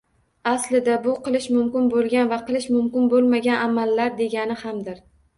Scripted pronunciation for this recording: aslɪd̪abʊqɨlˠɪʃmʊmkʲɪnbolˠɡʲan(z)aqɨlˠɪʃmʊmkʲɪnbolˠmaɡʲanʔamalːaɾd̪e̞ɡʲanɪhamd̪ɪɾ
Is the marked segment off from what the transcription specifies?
yes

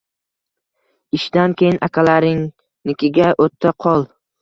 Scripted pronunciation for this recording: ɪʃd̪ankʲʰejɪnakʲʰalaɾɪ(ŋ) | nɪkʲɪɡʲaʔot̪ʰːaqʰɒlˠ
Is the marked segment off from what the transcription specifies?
no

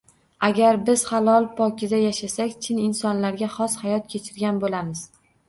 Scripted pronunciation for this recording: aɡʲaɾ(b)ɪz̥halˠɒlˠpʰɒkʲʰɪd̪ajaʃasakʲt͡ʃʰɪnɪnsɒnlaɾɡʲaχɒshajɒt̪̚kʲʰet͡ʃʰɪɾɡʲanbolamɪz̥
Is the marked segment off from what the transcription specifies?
no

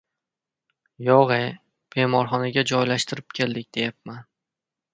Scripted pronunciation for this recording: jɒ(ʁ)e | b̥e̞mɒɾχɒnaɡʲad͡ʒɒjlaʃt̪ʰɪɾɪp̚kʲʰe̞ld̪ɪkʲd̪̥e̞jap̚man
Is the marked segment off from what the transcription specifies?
no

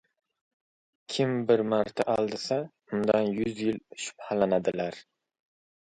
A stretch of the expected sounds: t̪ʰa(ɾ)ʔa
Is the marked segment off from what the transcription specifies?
yes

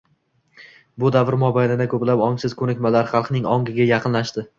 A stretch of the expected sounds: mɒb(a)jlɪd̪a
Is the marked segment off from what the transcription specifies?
no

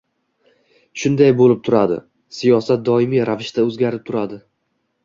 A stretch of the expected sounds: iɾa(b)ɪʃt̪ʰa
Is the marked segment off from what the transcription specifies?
yes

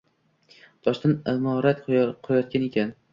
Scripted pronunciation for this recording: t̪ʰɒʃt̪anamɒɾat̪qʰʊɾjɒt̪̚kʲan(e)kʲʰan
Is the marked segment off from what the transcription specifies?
no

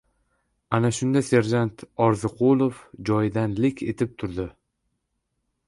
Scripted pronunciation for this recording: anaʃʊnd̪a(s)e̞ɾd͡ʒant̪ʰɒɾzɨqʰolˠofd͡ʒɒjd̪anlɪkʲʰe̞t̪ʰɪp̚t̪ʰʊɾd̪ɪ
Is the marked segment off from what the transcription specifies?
no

